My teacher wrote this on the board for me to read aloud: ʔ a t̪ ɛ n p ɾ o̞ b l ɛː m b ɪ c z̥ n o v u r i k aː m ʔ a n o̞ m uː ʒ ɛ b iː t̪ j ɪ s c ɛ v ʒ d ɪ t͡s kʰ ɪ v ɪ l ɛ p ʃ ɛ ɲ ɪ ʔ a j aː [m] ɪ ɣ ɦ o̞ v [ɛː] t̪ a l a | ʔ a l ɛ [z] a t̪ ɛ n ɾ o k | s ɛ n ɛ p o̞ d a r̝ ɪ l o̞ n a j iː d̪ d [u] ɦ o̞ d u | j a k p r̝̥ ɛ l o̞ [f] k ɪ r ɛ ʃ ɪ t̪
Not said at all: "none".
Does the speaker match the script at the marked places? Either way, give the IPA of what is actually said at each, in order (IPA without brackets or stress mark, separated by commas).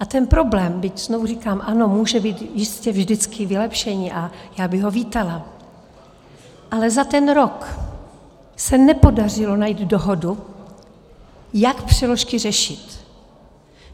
b, iː, z, o, ʃ